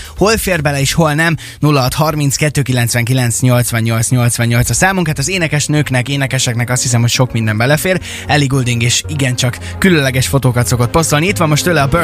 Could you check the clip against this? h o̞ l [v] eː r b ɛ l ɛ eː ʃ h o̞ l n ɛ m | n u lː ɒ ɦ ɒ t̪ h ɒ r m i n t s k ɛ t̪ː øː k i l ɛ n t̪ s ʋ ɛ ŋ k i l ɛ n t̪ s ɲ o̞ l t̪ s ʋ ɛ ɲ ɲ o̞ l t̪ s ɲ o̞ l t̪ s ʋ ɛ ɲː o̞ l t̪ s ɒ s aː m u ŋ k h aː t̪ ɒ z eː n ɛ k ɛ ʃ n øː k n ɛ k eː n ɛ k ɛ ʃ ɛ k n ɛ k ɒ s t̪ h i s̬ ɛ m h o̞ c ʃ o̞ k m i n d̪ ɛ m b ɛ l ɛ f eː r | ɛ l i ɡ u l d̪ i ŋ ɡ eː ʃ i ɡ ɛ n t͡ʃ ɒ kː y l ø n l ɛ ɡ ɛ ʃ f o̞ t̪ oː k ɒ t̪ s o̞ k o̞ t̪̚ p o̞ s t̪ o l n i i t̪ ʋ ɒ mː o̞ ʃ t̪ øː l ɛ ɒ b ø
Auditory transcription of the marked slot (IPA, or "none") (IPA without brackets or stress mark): f